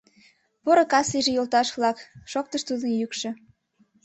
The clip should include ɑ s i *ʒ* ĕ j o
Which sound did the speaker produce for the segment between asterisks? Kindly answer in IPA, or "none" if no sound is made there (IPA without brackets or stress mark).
ʒ